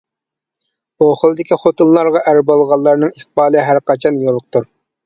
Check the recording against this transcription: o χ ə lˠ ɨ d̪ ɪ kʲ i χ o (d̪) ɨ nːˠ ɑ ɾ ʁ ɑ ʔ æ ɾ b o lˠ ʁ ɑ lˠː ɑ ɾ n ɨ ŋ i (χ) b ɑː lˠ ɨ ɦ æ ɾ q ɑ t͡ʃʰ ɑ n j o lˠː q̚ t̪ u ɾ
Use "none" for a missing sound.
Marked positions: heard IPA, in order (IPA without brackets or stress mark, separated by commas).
t̪, χ